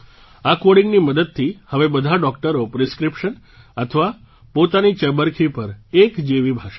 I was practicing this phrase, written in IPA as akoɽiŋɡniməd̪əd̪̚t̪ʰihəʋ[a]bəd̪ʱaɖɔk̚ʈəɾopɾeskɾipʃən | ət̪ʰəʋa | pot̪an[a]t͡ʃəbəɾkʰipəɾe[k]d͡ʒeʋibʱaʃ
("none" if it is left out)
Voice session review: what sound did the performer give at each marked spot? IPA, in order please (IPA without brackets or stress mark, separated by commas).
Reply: e, i, k